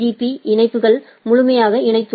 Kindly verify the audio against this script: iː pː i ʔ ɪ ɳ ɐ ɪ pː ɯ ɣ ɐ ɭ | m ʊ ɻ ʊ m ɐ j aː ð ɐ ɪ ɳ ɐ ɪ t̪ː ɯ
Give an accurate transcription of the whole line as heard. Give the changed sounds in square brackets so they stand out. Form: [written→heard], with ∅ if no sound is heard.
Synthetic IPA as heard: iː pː i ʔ ɪ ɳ ɐ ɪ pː ɯ ɣ ɐ ɭ | m ʊ ɻ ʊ m ɐ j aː [ð→ɣ] ɐ ɪ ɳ ɐ ɪ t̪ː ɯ